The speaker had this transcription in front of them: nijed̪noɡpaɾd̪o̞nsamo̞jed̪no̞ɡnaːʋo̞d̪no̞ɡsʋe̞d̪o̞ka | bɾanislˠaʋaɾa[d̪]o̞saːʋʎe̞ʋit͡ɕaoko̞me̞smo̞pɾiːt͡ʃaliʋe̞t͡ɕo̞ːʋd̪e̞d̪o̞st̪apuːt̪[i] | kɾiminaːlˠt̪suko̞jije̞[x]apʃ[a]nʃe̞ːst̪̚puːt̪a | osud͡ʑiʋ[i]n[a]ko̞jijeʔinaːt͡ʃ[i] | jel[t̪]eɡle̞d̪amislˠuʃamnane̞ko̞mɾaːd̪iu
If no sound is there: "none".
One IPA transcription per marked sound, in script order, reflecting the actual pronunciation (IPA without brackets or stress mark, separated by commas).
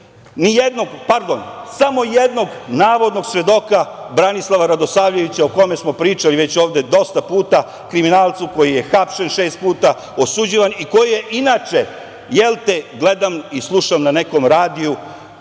d̪, a, x, e, a, i, e, t̪